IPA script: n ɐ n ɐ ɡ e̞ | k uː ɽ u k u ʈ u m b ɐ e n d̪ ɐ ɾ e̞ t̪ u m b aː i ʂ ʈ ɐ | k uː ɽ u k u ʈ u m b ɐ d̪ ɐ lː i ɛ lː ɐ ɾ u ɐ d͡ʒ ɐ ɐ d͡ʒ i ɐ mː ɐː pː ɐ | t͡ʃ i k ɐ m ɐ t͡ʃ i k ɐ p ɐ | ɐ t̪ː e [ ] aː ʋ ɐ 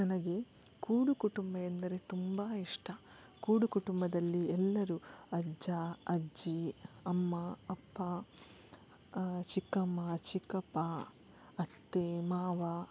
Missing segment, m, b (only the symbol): m